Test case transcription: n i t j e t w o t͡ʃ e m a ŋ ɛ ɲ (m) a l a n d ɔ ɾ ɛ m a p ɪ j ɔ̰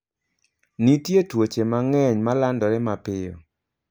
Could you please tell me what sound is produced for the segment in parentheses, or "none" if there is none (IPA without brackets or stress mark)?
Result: m